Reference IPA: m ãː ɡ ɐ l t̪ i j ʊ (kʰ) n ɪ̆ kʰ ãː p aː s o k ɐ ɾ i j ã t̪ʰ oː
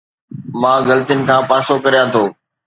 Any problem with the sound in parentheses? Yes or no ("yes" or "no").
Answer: yes